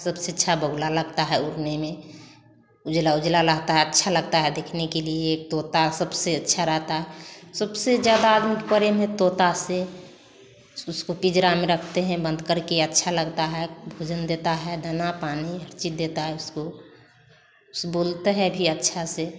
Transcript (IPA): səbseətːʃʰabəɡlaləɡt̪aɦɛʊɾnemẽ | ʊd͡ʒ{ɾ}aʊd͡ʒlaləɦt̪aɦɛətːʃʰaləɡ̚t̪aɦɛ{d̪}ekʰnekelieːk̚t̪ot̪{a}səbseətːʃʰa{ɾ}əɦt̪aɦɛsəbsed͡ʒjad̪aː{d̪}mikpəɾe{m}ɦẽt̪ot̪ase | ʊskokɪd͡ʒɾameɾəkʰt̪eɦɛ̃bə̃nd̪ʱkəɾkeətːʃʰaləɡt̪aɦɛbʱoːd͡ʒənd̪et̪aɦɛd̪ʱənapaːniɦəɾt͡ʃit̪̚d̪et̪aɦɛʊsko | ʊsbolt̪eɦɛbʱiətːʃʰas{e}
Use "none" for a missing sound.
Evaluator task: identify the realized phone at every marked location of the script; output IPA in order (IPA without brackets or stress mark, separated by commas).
l, d̪, a, ɾ, d̪, m, e